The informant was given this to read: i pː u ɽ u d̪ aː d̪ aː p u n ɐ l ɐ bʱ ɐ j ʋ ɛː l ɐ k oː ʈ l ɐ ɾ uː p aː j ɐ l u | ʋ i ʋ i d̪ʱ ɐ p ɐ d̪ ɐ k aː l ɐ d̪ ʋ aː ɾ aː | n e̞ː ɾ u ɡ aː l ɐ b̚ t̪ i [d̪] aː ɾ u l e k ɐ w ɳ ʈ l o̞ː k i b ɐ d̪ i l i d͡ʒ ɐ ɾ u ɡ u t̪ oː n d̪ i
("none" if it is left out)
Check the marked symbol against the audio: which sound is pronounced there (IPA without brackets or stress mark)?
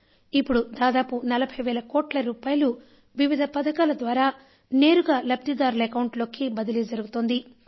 d̪